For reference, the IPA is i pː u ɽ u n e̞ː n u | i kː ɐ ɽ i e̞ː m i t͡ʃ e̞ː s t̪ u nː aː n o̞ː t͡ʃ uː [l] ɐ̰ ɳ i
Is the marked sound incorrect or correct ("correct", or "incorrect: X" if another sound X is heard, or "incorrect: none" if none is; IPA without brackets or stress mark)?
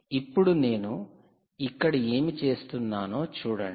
incorrect: ɽ